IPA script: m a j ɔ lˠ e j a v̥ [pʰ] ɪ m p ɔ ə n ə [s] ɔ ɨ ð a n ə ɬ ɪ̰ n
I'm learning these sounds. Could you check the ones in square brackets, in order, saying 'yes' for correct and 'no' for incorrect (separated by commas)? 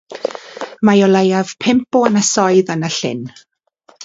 yes, yes